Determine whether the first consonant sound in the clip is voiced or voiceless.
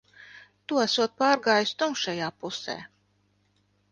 voiceless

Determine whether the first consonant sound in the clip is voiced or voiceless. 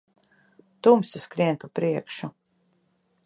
voiceless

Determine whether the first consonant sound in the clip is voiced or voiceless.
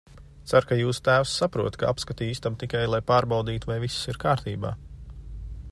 voiceless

